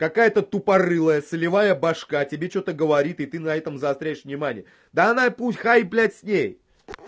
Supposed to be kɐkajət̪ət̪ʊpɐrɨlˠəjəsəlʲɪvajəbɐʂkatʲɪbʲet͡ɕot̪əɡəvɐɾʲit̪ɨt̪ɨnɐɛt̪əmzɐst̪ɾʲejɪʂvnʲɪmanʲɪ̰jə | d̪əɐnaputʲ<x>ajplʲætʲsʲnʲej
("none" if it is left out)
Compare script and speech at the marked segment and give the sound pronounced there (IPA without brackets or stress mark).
x